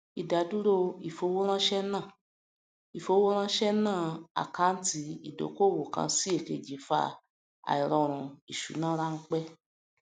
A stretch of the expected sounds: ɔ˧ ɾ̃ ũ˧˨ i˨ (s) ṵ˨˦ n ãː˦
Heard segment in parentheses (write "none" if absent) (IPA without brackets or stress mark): ʃ